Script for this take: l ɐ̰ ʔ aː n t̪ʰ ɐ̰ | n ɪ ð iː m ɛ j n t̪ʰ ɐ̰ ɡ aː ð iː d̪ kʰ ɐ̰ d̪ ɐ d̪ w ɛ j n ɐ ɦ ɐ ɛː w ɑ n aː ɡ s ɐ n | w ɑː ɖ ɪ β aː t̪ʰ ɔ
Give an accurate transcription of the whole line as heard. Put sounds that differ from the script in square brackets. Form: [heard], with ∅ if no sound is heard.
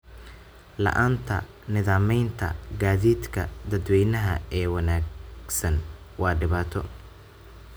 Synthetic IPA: l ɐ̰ ʔ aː n t̪ʰ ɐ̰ | n ɪ ð [aː] m ɛ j n t̪ʰ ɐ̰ ɡ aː ð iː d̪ kʰ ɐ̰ d̪ ɐ d̪ w ɛ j n ɐ ɦ ɐ ɛː w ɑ n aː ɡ s ɐ n | w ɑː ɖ ɪ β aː t̪ʰ ɔ